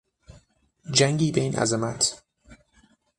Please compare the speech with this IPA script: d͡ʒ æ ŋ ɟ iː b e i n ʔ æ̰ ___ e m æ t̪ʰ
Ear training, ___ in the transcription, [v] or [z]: z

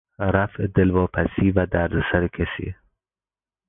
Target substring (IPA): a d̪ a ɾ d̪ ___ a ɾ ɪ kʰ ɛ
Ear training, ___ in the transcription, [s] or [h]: s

